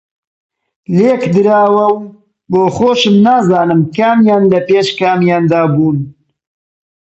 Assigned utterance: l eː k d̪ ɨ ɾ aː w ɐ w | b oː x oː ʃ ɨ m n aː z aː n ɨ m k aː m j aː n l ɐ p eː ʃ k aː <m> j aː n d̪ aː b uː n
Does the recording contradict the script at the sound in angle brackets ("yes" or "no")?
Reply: no